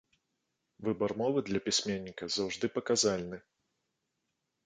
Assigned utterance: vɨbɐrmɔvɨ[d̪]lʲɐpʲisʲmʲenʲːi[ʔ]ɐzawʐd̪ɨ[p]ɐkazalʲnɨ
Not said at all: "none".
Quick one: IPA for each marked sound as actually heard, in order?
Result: d̪, k, p

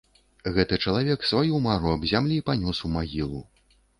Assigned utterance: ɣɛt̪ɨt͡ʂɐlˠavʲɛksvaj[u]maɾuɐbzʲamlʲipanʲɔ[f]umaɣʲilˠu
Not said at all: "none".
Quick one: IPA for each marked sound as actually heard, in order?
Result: u, s

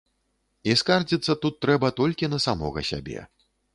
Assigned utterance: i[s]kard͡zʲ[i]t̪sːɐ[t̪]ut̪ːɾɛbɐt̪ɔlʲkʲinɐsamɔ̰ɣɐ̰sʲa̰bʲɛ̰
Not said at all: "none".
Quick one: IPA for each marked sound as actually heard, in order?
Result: s, i, t̪

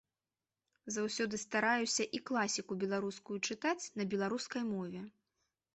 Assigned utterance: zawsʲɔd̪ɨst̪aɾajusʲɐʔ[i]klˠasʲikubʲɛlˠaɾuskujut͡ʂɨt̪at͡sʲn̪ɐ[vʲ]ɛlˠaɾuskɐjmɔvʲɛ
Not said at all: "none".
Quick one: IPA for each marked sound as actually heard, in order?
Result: i, bʲ

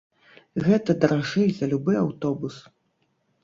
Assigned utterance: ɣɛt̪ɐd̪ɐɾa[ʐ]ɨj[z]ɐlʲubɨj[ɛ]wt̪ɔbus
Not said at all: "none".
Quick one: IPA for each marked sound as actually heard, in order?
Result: ʐ, z, a

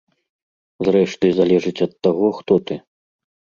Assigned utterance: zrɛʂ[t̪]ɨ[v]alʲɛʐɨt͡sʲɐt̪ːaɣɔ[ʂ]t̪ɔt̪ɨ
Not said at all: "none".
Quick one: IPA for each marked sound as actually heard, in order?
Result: t̪, z, x

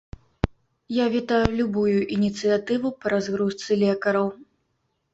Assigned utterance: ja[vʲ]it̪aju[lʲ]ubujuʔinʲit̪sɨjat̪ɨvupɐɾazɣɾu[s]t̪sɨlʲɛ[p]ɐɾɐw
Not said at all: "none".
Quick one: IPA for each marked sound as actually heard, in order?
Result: vʲ, lʲ, s, k

